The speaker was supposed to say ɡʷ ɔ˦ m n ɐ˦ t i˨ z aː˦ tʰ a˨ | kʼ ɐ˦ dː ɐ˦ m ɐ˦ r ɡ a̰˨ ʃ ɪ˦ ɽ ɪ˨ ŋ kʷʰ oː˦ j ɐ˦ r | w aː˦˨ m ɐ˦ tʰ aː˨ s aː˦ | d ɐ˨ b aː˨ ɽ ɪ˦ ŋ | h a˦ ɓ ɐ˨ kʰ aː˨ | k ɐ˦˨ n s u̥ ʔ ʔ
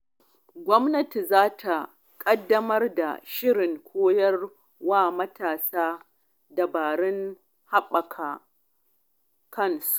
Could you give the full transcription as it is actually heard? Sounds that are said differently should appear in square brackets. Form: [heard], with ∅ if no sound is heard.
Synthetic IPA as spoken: ɡʷ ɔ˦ m n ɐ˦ t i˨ z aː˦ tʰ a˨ | kʼ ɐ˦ dː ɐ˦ m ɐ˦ r [d] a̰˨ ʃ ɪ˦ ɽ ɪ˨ ŋ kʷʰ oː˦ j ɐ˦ r | w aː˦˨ m ɐ˦ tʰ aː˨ s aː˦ | d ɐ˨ b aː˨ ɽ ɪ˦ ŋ | h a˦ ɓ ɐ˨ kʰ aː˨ | k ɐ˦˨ n s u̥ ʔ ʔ